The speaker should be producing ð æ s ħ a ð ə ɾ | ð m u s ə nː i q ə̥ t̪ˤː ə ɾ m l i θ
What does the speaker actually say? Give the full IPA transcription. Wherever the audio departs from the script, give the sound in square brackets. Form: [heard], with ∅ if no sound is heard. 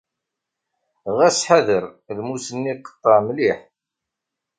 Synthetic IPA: [ʁ] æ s ħ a ð ə ɾ | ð m u s ə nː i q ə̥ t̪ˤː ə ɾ m l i [ħ]